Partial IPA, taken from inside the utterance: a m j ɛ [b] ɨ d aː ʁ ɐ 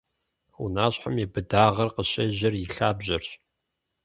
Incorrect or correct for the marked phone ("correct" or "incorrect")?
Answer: correct